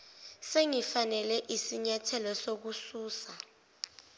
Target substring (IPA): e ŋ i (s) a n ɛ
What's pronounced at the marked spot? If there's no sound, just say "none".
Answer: f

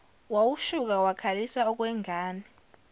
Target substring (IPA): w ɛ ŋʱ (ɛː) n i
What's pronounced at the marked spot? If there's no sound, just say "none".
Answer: aː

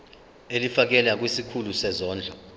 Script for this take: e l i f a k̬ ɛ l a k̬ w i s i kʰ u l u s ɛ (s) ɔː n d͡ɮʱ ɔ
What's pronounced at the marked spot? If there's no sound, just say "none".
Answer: z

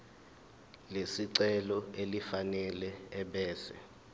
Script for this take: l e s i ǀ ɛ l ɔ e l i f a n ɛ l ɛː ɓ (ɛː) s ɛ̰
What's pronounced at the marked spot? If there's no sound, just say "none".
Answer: ɛː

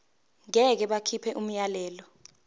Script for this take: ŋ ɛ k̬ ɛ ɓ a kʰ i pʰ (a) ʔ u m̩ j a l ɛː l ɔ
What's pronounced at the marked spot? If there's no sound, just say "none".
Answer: ɛ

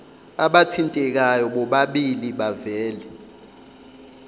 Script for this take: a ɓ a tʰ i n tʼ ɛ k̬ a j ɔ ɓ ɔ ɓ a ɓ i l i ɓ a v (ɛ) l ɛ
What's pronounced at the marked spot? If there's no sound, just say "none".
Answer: ɛː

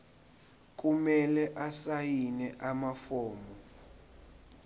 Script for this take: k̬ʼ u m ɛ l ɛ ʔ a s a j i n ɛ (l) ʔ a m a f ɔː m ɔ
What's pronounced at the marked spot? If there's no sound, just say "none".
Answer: none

